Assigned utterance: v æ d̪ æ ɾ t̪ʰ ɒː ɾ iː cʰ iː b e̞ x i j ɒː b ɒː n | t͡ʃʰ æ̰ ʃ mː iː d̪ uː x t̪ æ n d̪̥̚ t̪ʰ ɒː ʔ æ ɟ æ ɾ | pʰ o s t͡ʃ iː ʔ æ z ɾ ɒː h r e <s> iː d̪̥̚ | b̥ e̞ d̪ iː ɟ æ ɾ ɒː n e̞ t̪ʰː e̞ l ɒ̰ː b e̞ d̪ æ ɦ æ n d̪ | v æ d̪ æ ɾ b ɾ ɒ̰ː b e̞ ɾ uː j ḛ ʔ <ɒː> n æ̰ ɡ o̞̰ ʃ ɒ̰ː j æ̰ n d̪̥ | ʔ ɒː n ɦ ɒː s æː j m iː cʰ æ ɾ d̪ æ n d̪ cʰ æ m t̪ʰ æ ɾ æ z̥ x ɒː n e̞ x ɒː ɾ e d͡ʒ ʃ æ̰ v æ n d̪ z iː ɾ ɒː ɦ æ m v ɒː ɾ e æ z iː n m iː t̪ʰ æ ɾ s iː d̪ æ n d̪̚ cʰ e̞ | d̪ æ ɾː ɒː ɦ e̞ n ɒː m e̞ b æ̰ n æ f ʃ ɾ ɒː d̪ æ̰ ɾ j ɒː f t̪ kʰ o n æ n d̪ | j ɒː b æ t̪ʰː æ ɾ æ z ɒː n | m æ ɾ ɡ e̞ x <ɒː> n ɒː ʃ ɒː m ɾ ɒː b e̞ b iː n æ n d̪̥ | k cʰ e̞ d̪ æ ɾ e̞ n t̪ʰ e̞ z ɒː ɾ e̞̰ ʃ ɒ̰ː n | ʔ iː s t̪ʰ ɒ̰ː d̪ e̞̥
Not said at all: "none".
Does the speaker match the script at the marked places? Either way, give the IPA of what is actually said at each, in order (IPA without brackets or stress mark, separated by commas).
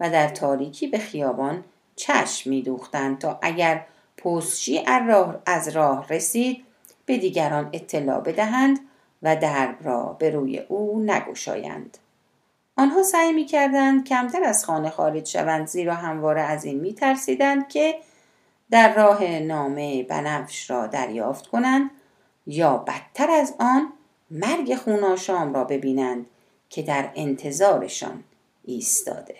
s, uː, uː